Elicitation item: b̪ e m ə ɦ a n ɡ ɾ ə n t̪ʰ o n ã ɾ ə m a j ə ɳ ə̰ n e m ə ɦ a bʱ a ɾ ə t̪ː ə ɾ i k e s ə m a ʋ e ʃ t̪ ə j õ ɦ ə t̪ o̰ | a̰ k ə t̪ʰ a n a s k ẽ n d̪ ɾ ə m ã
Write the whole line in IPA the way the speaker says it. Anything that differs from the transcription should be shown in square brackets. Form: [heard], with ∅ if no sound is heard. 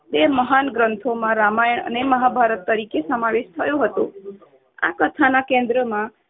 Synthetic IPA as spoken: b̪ e m ə ɦ a n ɡ ɾ ə n t̪ʰ o [m] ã ɾ [a] m a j ə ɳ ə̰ n e m ə ɦ a bʱ a ɾ ə t̪ː ə ɾ i k e s ə m a ʋ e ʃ [t̪ʰ] ə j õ ɦ ə t̪ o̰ | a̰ k ə t̪ʰ a n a [∅] k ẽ n d̪ ɾ ə m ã